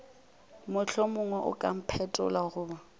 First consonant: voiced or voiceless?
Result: voiced